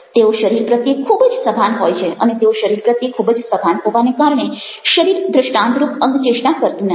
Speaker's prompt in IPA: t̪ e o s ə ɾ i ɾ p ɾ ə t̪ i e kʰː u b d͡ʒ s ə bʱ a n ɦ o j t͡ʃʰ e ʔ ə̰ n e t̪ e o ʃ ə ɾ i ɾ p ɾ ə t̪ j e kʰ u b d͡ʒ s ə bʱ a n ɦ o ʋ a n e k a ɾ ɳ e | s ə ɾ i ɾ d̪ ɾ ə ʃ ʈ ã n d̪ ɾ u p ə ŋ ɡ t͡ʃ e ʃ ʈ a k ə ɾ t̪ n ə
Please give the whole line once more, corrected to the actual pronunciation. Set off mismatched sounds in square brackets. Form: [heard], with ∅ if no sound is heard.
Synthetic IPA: t̪ e o [ʃ] ə ɾ i ɾ p ɾ ə t̪ [j] e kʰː u b d͡ʒ s ə bʱ a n ɦ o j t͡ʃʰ e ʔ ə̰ n e t̪ e o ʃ ə ɾ i ɾ p ɾ ə t̪ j e kʰ u b d͡ʒ s ə bʱ a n ɦ o ʋ a n e k a ɾ ɳ e | [ʃ] ə ɾ i ɾ d̪ ɾ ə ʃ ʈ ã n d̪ ɾ u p ə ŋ ɡ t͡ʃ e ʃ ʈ a k ə ɾ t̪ n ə